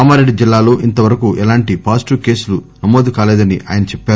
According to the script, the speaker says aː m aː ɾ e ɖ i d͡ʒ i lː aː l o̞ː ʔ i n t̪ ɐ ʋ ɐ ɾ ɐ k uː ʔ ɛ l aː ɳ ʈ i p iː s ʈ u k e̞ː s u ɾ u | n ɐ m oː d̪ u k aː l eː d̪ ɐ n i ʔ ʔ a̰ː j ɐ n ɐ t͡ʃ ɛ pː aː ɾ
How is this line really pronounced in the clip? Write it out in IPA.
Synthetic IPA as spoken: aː m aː ɾ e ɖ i d͡ʒ i lː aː l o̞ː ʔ i n t̪ ɐ ʋ ɐ ɾ ɐ k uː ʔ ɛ l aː ɳ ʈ i p aː s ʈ u k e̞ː s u l u | n ɐ m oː d̪ u k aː l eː d̪ ɐ n i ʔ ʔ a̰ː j ɐ n ɐ t͡ʃ ɛ pː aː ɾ